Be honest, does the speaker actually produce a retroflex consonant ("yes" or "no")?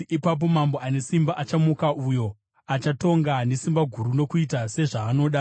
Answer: yes